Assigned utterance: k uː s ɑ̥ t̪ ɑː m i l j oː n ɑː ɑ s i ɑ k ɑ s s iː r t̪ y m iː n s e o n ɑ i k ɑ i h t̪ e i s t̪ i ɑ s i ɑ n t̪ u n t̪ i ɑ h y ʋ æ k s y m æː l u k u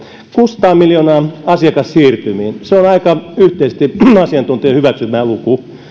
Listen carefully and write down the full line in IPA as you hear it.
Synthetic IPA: k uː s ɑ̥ t̪ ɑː m i l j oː n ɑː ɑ s i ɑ k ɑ s s iː r t̪ y m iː n s e o n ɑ i k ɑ y h t̪ e i s t̪ i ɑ s i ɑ n t̪ u n t̪ i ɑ h y ʋ æ k s y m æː l u k u